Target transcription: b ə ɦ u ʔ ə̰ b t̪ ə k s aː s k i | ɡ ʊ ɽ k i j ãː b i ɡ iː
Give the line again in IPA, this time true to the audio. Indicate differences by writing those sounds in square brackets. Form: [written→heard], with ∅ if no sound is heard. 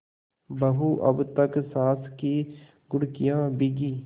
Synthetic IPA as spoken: b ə ɦ u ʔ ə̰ b t̪ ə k s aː s k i | ɡ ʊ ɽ k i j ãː b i ɡ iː